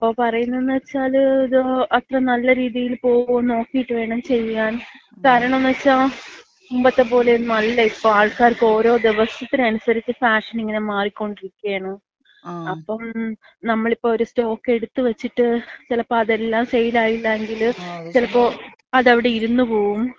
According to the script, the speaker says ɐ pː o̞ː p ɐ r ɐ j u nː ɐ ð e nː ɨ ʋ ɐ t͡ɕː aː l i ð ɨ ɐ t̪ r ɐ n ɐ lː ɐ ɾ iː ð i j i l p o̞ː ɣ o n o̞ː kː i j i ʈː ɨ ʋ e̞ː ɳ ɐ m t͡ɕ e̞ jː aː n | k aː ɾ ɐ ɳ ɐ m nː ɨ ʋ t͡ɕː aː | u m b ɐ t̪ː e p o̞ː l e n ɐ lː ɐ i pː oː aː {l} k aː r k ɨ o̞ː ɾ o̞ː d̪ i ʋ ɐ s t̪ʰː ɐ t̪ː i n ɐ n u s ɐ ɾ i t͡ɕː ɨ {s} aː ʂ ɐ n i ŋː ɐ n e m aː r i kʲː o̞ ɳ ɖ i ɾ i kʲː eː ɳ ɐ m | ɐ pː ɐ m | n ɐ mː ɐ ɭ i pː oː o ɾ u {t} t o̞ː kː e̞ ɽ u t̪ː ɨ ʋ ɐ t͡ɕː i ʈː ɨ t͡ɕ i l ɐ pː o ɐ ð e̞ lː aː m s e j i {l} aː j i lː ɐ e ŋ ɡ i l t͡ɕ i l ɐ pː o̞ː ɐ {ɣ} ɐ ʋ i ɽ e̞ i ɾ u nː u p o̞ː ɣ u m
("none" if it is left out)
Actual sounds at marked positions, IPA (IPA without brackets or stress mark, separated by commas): ɭ, f, s, l, ð